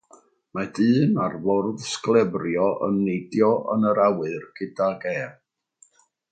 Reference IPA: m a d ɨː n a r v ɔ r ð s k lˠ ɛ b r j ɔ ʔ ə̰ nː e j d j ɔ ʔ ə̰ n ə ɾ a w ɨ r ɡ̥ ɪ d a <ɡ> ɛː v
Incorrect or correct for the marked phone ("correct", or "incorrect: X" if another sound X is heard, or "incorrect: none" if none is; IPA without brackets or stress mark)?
correct